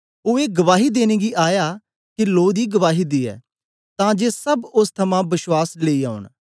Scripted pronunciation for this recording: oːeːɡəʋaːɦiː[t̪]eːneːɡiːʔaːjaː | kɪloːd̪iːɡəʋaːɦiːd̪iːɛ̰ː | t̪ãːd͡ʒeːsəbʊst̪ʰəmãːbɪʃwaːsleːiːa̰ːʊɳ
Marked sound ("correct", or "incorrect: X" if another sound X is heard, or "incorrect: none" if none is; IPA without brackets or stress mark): incorrect: d̪